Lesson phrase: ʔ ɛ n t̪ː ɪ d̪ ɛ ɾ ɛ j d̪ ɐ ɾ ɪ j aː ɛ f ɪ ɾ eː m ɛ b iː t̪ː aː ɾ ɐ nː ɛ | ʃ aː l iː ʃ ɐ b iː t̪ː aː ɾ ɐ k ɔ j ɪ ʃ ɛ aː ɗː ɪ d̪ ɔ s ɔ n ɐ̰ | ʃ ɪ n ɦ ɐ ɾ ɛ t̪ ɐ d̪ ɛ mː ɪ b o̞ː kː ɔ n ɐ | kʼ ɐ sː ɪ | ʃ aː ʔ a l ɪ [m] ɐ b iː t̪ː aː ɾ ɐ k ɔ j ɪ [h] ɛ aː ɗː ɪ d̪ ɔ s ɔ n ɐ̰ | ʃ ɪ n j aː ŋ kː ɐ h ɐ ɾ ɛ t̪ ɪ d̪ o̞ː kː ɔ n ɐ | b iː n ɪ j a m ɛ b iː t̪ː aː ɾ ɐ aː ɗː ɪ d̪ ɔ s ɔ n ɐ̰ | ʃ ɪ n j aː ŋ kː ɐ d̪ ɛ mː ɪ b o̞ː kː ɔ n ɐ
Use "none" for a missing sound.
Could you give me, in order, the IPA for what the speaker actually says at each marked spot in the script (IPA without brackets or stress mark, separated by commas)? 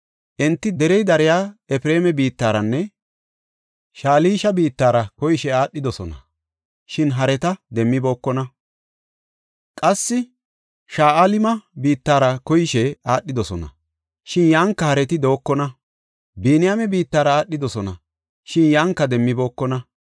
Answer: m, ʃ